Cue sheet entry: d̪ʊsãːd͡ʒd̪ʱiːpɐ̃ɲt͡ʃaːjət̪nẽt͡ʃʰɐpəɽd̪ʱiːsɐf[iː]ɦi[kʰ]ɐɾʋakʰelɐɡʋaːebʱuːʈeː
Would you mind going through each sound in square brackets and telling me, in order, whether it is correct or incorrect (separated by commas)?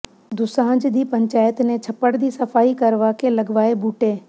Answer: incorrect, incorrect